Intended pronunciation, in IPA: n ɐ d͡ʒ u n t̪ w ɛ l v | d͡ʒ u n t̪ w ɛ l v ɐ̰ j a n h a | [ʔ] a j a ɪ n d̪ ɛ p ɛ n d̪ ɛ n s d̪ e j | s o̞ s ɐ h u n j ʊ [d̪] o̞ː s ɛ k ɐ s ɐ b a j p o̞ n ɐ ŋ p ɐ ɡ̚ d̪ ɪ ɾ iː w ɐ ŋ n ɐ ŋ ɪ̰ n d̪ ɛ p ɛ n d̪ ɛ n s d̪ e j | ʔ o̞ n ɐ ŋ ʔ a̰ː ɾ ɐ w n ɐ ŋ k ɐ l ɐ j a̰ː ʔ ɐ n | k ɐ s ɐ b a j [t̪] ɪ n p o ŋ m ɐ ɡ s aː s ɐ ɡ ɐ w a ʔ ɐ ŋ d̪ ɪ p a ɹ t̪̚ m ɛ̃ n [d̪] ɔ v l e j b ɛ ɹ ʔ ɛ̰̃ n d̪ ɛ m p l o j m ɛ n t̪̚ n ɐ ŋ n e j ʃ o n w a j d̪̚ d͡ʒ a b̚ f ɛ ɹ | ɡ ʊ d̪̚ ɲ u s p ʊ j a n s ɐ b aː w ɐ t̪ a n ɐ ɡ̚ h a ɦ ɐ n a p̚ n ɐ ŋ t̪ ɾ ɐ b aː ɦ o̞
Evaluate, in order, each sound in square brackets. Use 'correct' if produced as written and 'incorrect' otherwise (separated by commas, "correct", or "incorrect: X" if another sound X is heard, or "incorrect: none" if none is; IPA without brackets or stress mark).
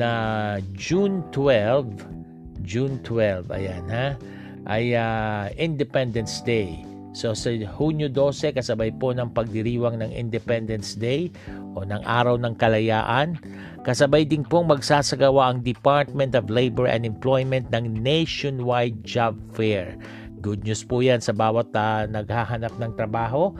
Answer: correct, correct, incorrect: d̪, incorrect: t̪